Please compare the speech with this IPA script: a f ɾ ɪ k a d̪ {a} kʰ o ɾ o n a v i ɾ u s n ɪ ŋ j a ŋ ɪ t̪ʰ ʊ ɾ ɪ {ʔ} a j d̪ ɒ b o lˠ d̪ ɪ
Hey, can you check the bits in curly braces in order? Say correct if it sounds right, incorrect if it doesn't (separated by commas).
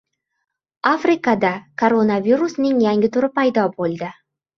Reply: correct, incorrect